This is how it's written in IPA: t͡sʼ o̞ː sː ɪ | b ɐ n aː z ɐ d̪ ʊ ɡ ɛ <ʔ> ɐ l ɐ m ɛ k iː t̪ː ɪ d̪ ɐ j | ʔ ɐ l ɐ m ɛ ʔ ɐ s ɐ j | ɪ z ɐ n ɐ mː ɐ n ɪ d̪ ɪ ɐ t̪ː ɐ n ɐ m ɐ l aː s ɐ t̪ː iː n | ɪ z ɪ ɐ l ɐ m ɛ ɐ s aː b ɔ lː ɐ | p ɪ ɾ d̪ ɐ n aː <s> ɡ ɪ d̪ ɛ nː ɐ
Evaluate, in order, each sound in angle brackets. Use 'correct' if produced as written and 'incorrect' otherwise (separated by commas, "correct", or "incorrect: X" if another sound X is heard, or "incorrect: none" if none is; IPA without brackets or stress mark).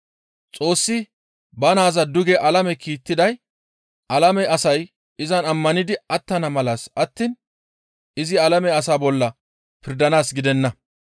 correct, correct